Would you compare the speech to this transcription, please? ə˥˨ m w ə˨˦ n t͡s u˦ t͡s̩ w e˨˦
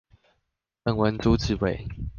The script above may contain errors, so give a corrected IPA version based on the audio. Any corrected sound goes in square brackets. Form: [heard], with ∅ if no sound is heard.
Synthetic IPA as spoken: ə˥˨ [ŋ] w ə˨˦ n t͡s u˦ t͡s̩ w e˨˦